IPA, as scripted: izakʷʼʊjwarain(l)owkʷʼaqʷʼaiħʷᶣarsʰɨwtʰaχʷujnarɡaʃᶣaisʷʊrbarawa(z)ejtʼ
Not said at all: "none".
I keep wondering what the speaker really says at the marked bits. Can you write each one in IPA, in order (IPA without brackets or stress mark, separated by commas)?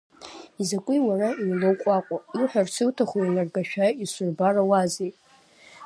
l, z